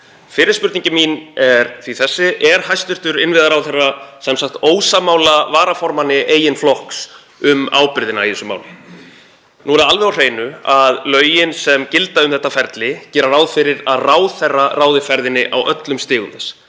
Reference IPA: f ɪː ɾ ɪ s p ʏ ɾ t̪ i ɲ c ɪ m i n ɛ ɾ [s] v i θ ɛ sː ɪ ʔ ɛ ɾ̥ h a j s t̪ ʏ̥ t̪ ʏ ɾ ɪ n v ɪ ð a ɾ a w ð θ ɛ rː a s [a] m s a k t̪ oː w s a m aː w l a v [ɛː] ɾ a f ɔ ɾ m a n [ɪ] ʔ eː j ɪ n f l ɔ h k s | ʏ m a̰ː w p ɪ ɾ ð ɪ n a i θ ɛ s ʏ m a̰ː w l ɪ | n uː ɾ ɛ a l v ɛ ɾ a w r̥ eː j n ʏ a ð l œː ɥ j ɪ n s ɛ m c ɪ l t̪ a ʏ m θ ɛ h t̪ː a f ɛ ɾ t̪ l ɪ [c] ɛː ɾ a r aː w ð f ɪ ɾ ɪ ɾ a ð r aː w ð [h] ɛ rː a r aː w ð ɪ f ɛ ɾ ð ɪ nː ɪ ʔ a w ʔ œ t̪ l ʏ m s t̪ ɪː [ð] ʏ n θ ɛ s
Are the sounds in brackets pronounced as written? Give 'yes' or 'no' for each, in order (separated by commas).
no, no, no, yes, yes, no, no